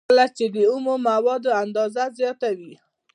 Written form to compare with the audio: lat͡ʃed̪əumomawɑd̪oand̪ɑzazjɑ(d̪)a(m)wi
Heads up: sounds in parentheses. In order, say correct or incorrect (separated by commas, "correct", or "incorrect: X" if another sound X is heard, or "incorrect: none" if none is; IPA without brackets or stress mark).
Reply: incorrect: t̪, incorrect: none